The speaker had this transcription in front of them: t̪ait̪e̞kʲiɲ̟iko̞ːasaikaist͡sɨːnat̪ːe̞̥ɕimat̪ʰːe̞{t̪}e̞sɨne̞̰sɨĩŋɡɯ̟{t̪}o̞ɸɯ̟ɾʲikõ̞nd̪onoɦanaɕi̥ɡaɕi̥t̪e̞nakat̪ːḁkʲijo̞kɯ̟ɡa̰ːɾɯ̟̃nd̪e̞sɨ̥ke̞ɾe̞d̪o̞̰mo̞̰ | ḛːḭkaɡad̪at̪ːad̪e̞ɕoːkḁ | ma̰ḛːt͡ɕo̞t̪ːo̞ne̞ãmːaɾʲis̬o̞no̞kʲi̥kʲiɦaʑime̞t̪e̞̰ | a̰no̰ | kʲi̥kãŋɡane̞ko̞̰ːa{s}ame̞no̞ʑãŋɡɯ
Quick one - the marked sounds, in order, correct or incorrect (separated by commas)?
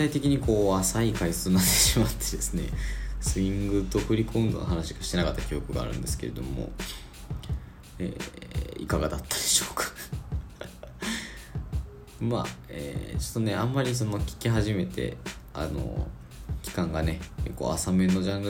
incorrect, correct, correct